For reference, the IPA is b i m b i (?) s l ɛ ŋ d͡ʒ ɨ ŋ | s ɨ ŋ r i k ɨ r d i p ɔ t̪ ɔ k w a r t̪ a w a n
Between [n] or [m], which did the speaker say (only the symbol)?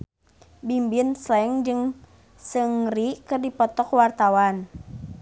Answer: n